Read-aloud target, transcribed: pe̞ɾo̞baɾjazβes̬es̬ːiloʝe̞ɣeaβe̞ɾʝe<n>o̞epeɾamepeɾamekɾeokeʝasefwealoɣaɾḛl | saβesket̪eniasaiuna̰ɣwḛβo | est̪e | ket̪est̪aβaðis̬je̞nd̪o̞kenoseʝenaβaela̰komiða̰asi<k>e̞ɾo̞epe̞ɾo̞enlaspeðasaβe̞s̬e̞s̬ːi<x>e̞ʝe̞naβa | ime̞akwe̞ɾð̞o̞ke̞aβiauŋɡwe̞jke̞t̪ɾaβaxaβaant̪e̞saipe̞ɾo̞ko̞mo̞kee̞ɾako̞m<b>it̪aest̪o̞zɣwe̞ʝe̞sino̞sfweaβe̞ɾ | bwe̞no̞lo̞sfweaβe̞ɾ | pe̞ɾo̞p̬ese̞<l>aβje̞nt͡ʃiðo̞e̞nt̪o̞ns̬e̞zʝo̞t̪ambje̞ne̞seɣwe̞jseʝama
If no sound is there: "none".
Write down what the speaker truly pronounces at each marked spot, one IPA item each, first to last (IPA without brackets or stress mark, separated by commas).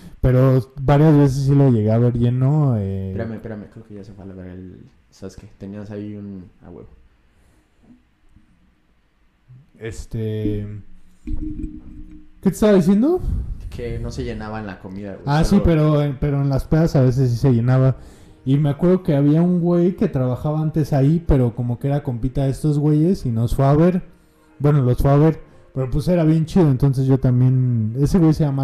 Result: n, p, s, p, ɾ